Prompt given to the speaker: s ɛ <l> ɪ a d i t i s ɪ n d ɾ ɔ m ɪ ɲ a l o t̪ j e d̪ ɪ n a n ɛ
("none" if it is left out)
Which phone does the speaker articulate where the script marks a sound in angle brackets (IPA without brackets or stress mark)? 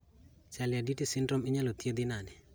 l